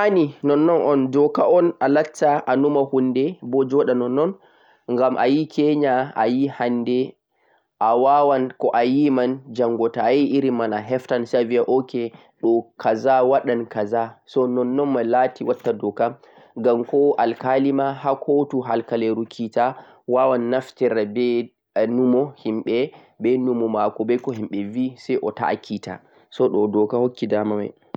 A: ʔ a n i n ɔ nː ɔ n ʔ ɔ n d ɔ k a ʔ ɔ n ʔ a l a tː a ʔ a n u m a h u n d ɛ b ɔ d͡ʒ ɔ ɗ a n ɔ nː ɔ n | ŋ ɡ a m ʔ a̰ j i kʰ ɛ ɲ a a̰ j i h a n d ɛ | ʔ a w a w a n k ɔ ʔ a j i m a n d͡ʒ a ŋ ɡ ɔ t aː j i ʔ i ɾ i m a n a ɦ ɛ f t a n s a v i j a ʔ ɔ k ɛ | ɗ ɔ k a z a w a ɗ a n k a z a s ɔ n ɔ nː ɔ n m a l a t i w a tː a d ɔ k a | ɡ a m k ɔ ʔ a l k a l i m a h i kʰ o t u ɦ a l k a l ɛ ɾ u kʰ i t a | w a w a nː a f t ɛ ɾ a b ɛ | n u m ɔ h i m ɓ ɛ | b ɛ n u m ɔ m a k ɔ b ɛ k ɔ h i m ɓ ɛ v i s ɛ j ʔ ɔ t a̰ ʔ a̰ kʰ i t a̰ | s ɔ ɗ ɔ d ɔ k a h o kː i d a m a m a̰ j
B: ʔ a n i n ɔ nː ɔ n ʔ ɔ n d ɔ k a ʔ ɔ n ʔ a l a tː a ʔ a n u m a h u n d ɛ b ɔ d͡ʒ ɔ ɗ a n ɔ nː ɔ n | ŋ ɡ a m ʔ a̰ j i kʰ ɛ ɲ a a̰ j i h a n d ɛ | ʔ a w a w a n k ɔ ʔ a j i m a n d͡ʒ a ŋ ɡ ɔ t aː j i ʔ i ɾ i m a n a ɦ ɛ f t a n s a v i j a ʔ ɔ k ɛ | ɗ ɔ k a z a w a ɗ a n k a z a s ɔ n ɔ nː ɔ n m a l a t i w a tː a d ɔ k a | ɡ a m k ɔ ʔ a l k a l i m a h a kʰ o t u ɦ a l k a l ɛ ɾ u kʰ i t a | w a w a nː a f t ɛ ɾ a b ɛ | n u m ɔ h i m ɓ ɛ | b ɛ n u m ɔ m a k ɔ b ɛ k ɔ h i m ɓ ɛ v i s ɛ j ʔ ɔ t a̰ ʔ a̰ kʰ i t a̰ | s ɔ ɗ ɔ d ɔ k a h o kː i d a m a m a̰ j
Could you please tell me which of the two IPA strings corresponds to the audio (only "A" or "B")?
B